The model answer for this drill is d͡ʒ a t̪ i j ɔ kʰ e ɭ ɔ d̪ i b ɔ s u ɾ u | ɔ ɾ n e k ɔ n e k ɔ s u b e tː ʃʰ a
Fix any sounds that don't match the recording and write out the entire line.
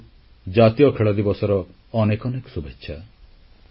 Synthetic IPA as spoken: d͡ʒ a t̪ i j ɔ kʰ e ɭ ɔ d̪ i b ɔ s ɔ ɾ ɔ | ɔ n e k ɔ n e k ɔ s u b e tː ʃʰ a